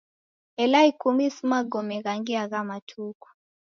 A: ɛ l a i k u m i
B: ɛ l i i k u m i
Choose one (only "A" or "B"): A